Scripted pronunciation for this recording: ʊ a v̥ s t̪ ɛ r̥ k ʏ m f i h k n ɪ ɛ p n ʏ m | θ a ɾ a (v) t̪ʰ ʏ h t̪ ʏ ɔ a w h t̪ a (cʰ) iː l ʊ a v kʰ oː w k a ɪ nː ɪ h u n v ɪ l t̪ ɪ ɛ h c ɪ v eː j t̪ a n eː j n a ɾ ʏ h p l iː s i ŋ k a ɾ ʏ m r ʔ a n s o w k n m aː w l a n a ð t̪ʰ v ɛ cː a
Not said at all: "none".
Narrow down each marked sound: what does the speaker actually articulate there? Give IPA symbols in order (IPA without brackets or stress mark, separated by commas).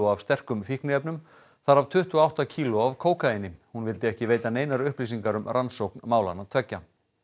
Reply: v, cʰ